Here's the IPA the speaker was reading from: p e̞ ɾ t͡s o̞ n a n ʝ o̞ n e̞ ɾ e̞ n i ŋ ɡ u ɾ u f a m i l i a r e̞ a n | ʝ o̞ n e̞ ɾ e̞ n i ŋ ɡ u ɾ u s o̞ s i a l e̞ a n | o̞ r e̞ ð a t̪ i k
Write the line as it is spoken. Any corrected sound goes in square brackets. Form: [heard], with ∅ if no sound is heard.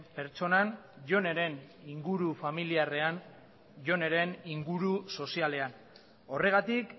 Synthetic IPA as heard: p e̞ ɾ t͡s o̞ n a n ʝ o̞ n e̞ ɾ e̞ n i ŋ ɡ u ɾ u f a m i l i a r e̞ a n | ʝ o̞ n e̞ ɾ e̞ n i ŋ ɡ u ɾ u s o̞ s i a l e̞ a n | o̞ r e̞ [ɣ] a t̪ i k